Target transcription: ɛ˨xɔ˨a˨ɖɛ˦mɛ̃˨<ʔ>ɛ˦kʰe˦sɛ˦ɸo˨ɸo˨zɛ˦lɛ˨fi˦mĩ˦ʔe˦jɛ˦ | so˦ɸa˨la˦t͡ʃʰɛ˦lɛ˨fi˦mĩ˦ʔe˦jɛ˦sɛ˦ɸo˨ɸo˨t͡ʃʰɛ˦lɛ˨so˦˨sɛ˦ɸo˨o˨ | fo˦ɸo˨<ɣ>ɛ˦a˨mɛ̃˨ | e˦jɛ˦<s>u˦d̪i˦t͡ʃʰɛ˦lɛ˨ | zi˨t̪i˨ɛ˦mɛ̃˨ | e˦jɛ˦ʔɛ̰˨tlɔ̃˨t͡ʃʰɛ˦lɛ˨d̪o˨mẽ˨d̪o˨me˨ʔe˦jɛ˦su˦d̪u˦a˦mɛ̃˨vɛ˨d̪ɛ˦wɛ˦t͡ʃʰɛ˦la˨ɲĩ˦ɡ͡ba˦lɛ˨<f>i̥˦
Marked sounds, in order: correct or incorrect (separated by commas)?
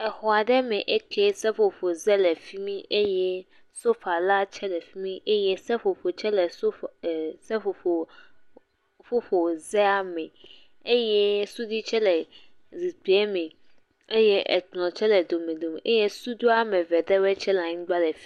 correct, incorrect, correct, correct